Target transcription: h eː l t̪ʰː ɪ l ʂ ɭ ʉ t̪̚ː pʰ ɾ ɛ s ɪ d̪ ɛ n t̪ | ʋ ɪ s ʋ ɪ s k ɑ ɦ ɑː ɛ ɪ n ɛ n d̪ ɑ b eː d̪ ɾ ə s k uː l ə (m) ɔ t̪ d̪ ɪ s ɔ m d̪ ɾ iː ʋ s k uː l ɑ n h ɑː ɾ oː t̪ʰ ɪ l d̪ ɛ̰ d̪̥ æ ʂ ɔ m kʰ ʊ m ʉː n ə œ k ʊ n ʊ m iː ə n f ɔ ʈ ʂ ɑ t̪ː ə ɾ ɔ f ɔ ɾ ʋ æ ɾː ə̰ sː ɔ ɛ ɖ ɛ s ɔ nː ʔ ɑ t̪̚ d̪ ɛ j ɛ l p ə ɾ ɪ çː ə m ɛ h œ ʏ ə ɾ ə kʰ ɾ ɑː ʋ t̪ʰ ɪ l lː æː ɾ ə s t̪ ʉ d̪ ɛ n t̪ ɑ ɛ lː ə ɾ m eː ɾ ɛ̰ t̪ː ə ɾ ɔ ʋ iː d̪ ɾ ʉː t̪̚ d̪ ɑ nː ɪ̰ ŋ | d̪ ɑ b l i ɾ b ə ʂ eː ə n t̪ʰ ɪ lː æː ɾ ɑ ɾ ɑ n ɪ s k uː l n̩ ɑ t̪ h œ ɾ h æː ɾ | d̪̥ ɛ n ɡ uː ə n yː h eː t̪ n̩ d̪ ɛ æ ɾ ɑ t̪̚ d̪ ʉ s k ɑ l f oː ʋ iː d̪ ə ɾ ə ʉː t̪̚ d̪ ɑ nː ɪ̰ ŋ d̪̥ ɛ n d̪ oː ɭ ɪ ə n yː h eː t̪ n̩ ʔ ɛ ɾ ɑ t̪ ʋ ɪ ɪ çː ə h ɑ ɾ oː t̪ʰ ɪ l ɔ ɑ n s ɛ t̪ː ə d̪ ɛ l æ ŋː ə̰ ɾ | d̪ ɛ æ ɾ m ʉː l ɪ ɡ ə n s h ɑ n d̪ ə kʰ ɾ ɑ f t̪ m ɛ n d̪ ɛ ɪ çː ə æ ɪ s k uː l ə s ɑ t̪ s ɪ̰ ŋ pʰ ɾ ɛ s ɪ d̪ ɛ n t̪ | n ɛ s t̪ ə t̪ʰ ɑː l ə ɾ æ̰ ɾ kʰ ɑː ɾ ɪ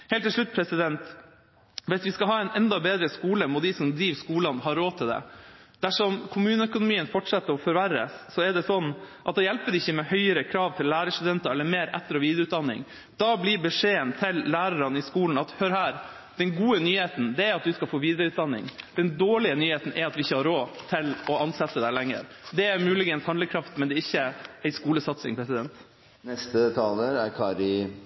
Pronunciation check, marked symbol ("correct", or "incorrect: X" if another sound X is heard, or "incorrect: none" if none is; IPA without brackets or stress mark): correct